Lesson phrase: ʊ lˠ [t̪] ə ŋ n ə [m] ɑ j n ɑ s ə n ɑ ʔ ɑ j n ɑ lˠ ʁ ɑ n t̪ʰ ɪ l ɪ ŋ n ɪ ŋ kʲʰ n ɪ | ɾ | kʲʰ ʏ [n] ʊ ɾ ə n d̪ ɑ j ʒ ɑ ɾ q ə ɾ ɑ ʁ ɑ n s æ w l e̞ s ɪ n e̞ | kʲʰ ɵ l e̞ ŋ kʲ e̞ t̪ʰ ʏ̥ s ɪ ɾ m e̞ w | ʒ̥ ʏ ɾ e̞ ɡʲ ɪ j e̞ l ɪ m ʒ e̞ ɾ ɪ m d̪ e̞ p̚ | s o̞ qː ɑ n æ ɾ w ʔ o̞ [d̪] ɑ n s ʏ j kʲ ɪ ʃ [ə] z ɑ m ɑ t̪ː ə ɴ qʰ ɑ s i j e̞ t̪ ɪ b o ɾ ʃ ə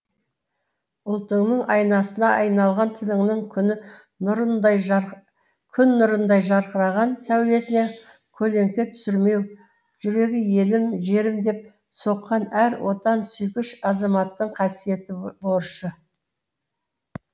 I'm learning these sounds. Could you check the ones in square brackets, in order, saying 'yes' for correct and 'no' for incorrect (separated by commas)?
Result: yes, no, no, no, no